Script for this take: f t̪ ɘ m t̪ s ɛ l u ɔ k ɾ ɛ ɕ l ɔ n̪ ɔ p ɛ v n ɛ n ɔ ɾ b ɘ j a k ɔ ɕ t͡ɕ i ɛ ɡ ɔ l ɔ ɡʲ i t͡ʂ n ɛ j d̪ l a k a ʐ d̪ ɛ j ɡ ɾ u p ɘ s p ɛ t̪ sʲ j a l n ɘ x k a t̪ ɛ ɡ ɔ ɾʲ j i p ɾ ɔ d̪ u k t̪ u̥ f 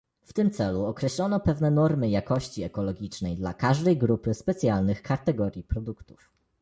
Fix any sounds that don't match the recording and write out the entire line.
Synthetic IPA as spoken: f t̪ ɘ m t̪ s ɛ l u ɔ k ɾ ɛ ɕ l ɔ n̪ ɔ p ɛ v n ɛ n ɔ ɾ m ɘ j a k ɔ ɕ t͡ɕ i ɛ k ɔ l ɔ ɡʲ i t͡ʂ n ɛ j d̪ l a k a ʐ d̪ ɛ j ɡ ɾ u p ɘ s p ɛ t̪ sʲ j a l n ɘ x k a t̪ ɛ ɡ ɔ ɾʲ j i p ɾ ɔ d̪ u k t̪ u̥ f